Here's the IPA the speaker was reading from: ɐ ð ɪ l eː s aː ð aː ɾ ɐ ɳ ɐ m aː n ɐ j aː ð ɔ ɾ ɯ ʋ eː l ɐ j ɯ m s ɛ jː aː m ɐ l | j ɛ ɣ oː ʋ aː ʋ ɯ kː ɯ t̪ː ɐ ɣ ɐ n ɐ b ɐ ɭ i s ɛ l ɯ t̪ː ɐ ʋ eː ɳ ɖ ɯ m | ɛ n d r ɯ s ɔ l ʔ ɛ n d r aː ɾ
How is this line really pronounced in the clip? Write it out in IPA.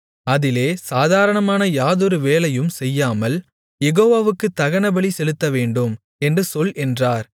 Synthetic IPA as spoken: ɐ ð ɪ l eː s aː ð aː ɾ ɐ ɳ ɐ m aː n ɐ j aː ð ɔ ɾ ɯ ʋ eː l ɐ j ɯ m s ɛ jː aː m ɐ l | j ɛ ɣ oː ʋ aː ʋ ɯ kː ɯ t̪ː ɐ ɣ ɐ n ɐ b ɐ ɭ i s ɛ l ɯ t̪ː ɐ ʋ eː ɳ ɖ ɯ m | ɛ n d r ɯ s ɔ l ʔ ɛ n d r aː ɾ